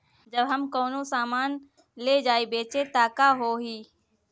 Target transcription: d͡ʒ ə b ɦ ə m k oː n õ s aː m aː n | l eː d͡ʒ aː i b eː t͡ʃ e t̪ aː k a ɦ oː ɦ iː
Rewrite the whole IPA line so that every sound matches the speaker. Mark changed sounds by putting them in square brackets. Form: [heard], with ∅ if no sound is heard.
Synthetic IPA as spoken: d͡ʒ ə b ɦ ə m k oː n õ s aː m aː n | l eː d͡ʒ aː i b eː t͡ʃ e t̪ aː k a ɦ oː ɦ iː